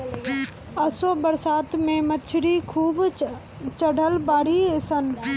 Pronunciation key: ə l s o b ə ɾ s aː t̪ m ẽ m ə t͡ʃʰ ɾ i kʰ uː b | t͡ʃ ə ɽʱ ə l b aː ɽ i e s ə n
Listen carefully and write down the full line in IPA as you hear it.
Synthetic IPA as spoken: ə s o b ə ɾ s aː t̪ m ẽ m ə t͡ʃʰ ɾ i kʰ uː b | t͡ʃ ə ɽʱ ə l b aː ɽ i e s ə n